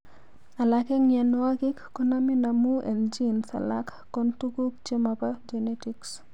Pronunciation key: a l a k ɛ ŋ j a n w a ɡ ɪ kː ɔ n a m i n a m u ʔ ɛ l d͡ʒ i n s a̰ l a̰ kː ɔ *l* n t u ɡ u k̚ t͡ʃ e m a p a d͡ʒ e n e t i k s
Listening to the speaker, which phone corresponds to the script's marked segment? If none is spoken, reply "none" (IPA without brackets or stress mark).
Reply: none